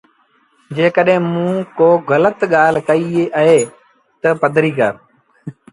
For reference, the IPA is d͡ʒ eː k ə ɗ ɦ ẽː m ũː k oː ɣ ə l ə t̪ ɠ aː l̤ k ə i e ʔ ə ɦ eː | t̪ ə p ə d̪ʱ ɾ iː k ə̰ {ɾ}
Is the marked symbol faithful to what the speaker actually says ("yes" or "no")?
yes